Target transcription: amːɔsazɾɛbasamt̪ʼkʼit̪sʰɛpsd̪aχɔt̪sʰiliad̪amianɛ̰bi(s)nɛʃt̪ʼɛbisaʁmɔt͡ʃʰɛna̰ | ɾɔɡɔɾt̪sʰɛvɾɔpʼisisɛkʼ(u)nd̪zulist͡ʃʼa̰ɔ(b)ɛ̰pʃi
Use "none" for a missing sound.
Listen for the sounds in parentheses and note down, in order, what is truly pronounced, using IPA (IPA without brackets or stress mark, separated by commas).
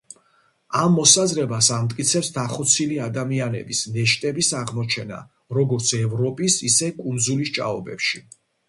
s, u, b